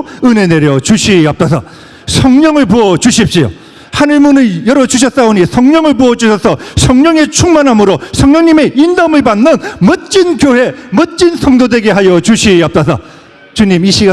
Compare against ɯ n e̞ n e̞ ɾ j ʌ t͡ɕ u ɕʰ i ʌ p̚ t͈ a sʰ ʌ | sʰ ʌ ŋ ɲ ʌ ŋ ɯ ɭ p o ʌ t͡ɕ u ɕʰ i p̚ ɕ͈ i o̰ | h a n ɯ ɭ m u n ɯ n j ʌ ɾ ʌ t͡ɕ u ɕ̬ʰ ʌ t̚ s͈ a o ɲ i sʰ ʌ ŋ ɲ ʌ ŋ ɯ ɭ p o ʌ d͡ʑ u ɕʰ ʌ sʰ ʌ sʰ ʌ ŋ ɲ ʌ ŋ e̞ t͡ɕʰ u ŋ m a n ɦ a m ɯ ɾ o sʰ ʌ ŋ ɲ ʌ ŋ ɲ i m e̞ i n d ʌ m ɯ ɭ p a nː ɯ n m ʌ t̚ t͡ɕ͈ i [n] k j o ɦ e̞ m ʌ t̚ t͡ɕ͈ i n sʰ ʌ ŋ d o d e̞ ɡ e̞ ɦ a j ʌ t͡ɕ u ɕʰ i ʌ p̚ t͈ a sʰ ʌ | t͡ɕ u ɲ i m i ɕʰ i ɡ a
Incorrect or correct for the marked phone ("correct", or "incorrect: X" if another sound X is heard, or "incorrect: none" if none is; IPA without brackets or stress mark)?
correct